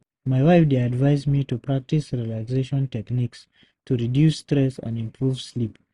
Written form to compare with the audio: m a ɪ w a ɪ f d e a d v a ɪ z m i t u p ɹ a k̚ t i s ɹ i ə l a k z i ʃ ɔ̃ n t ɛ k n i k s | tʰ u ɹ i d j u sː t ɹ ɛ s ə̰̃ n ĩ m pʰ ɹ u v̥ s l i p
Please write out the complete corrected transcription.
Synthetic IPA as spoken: m a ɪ w a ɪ f d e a d v a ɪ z m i t u p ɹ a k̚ t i s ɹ i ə l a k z e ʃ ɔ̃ n t ɛ k n i k s | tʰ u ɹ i d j u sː t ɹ ɛ s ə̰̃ n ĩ m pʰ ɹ u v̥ s l i p